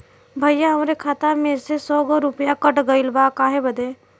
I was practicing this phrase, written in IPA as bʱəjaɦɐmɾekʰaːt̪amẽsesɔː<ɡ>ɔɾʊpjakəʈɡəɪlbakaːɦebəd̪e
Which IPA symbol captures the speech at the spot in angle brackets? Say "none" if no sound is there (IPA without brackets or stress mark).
ɡ